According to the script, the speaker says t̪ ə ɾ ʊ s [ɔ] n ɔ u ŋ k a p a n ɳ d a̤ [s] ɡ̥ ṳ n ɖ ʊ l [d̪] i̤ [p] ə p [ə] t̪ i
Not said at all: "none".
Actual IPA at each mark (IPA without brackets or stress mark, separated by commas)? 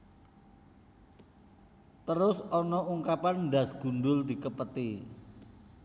ɔ, s, d̪, k, ə